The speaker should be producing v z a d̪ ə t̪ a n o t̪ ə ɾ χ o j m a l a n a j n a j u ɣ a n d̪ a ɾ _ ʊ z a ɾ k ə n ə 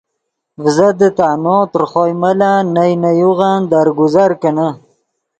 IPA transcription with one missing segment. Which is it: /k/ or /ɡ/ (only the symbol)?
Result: ɡ